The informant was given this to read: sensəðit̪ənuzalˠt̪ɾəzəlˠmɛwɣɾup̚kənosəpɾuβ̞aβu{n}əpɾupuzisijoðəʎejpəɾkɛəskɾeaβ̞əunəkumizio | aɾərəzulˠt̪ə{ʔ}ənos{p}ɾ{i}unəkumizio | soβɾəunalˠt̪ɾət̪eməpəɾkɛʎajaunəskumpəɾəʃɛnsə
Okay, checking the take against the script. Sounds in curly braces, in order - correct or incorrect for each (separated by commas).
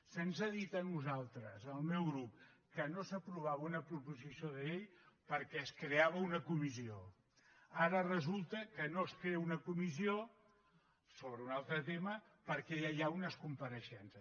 correct, incorrect, incorrect, incorrect